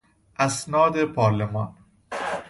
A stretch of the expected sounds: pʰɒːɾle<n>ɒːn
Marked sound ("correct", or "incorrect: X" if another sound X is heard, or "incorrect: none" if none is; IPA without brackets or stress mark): incorrect: m